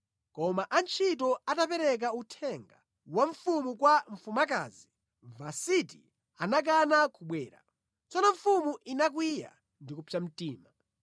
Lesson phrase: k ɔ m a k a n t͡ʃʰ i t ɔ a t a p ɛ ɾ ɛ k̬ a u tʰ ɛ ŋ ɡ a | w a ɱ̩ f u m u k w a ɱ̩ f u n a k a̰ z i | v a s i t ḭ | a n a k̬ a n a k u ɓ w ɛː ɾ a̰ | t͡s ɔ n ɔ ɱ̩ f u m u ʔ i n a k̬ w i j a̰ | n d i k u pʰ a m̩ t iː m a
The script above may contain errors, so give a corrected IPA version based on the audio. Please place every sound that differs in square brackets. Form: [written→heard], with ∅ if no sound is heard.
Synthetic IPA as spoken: k ɔ m a [k→ʔ] a n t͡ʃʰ i t ɔ a t a p ɛ ɾ ɛ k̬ a u tʰ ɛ ŋ ɡ a | w a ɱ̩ f u m u k w a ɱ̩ f u [n→m] a k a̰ z i | v a s i t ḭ | a n a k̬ a n a k u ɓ w ɛː ɾ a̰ | t͡s ɔ n ɔ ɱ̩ f u m u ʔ i n a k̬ w i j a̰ | n d i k u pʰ a m̩ t iː m a